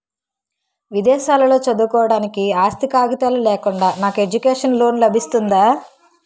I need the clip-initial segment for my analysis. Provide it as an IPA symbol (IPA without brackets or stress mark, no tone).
ʋ